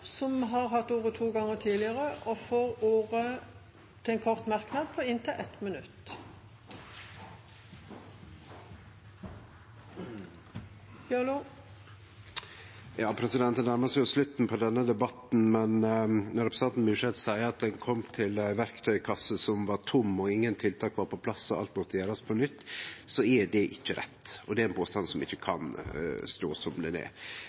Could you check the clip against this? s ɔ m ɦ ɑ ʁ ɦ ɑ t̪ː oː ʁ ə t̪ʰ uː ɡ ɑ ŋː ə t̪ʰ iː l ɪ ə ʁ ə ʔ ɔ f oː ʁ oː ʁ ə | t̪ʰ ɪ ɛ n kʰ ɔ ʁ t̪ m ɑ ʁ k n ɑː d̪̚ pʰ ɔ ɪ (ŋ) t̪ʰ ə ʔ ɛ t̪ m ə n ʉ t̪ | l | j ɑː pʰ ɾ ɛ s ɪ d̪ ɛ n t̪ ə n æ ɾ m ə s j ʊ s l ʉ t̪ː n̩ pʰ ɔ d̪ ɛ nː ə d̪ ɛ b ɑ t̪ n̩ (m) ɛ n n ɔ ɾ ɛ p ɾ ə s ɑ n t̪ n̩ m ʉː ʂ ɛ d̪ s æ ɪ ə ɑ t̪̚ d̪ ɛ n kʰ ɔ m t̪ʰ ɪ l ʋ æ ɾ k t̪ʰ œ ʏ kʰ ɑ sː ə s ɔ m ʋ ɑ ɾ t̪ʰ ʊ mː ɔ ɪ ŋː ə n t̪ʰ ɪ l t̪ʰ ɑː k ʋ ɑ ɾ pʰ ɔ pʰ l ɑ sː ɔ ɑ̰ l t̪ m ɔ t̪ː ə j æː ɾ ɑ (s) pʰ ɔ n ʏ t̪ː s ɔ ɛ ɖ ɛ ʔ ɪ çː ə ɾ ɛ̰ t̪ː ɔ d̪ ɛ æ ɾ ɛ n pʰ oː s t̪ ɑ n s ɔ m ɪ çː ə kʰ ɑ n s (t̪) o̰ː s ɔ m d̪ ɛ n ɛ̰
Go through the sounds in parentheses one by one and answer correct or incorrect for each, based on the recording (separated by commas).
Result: incorrect, correct, correct, correct